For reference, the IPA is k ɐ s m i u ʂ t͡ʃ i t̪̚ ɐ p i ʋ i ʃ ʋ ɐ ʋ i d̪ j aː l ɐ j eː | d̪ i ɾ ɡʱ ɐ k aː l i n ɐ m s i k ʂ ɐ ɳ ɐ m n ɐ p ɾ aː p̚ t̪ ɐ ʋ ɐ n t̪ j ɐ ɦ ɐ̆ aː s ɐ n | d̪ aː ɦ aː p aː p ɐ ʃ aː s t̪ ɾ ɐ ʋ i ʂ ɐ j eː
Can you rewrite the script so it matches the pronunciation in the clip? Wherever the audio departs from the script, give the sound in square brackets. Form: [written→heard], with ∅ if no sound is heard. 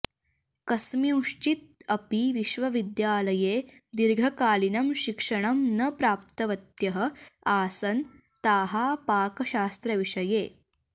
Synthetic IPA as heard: k ɐ s m i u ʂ t͡ʃ i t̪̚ ɐ p i ʋ i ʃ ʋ ɐ ʋ i d̪ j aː l ɐ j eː | d̪ i ɾ ɡʱ ɐ k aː l i n ɐ m [s→ʃ] i k ʂ ɐ ɳ ɐ m n ɐ p ɾ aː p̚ t̪ ɐ ʋ ɐ [n→∅] t̪ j ɐ ɦ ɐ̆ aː s ɐ n | [d̪→t̪] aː ɦ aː p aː [p→k] ɐ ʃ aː s t̪ ɾ ɐ ʋ i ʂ ɐ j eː